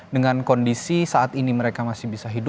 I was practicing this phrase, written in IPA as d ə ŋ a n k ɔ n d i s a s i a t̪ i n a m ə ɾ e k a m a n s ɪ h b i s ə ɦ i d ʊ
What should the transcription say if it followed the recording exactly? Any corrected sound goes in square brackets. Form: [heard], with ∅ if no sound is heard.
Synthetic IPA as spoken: d ə ŋ a n k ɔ n d i s [i] s [a] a t̪ i n [i] m ə ɾ e k a m a [∅] s ɪ h b i s [a] ɦ i d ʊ